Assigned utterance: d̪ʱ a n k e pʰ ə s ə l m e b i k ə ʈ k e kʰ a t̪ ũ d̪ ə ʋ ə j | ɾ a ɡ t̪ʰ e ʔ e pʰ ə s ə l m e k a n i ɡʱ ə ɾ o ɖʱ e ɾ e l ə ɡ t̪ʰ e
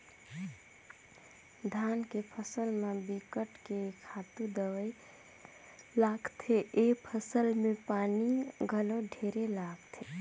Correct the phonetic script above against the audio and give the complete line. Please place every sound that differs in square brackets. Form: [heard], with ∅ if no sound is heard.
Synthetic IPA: d̪ʱ a n k e pʰ ə s ə l m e b i k ə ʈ k e kʰ a t̪ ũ d̪ ə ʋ ə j | [l] a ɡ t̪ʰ e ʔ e pʰ ə s ə l m e [p] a n i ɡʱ ə [l] o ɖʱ e ɾ e l [a] ɡ t̪ʰ e